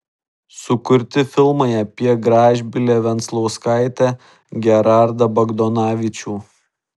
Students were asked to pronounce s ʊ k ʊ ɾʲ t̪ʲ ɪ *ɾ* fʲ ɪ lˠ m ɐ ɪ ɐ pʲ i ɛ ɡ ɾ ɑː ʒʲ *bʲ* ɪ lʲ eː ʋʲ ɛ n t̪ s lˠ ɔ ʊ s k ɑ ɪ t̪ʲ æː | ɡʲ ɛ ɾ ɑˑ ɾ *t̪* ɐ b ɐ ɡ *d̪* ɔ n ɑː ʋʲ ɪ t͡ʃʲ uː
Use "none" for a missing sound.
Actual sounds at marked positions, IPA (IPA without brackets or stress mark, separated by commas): none, bʲ, d̪, d̪